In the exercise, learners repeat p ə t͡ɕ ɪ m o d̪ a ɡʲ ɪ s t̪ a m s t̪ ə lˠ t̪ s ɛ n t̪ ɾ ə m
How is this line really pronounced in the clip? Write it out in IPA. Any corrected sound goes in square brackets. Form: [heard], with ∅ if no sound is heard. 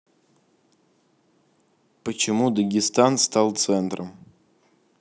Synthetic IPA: p ə t͡ɕ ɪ m [u] d̪ [ə] ɡʲ ɪ s t̪ a [n] s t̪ [a] lˠ t̪ s ɛ n t̪ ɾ ə m

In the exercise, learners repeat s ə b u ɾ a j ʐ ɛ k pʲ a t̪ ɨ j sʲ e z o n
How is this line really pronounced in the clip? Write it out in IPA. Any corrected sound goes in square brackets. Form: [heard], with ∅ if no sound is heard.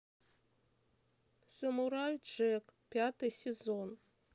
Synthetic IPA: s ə [m] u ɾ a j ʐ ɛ k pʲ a t̪ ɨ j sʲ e z o n

